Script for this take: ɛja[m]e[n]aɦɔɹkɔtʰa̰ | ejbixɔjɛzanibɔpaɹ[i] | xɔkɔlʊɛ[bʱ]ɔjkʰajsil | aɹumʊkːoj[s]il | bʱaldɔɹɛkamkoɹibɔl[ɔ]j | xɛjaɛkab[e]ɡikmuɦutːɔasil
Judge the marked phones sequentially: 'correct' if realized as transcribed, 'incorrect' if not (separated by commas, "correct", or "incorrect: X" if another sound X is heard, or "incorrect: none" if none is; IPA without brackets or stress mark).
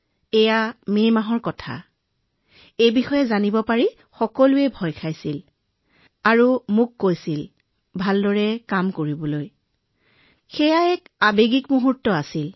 correct, incorrect: m, correct, correct, correct, incorrect: o, correct